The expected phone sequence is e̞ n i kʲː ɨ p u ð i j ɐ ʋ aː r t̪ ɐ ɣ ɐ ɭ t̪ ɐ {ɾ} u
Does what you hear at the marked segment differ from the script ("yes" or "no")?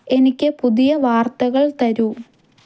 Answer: no